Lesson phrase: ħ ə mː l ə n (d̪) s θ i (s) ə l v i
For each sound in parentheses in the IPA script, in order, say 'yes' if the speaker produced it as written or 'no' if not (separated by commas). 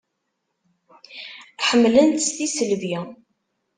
no, yes